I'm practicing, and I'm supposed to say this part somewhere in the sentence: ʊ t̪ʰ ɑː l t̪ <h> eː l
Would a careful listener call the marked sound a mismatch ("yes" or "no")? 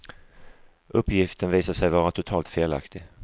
yes